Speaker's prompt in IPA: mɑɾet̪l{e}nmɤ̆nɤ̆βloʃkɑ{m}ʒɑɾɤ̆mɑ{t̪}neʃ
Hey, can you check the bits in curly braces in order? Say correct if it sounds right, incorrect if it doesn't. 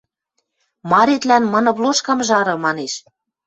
incorrect: æ, correct, incorrect: none

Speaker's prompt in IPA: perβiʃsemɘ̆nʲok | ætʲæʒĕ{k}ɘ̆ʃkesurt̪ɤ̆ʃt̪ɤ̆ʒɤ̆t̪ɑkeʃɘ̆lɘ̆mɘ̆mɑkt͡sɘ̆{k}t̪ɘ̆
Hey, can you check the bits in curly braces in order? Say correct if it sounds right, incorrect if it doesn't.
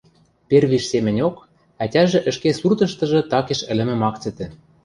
incorrect: ʔ, incorrect: none

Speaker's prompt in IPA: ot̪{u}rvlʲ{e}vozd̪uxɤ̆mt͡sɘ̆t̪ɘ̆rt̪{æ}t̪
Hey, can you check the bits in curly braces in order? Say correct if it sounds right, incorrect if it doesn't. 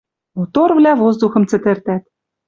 incorrect: o, incorrect: æ, correct

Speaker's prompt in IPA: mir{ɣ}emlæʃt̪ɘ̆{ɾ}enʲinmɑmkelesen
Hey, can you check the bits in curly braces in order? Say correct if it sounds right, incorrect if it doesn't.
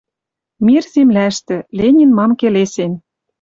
incorrect: z, incorrect: l

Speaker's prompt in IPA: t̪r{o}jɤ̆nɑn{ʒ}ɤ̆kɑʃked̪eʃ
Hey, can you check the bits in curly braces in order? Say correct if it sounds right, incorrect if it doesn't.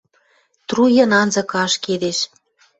incorrect: u, incorrect: z

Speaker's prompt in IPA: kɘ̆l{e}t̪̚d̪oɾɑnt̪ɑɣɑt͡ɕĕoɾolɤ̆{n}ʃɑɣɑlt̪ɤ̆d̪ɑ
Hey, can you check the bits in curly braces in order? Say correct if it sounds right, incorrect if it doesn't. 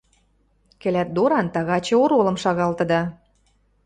incorrect: æ, incorrect: m

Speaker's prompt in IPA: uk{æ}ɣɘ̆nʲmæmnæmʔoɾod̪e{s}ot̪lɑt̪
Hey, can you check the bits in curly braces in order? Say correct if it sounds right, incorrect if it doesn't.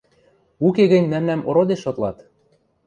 incorrect: e, incorrect: ʃ

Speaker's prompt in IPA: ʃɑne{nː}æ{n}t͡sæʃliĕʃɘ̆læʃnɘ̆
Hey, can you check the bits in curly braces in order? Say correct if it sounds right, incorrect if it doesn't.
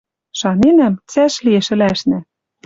incorrect: n, incorrect: m

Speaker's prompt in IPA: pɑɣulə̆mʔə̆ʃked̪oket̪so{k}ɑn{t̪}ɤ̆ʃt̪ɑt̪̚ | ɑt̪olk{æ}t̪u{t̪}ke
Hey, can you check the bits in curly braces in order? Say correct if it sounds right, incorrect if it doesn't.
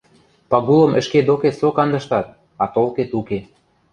correct, incorrect: d̪, incorrect: e, incorrect: none

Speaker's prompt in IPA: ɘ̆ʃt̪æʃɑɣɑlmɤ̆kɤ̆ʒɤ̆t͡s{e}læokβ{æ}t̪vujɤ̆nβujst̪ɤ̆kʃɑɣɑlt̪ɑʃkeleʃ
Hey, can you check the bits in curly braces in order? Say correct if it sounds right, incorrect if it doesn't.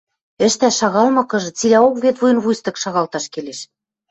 incorrect: i, incorrect: e

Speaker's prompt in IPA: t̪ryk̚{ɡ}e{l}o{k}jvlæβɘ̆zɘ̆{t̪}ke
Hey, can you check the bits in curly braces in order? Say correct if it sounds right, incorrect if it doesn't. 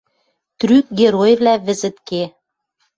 correct, incorrect: ɾ, incorrect: none, correct

